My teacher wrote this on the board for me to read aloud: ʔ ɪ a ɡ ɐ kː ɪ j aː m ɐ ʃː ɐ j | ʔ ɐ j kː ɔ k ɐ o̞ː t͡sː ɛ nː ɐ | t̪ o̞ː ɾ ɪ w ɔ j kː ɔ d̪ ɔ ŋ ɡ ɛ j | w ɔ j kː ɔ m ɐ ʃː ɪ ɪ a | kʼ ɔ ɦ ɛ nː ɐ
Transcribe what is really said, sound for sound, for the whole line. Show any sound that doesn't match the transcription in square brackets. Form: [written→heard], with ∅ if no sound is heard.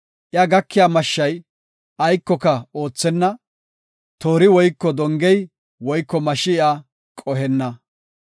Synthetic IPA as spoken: ʔ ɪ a ɡ ɐ kː ɪ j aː m ɐ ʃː ɐ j | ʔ ɐ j kː ɔ k ɐ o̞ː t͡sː ɛ nː ɐ | t̪ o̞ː ɾ ɪ w ɔ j kː ɔ d̪ ɔ ŋ ɡ ɛ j | w ɔ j kː ɔ m ɐ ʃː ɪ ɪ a | kʼ ɔ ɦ ɛ nː ɐ